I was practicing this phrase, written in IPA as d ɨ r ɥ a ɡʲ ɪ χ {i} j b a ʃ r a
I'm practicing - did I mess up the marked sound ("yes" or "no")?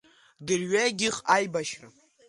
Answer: yes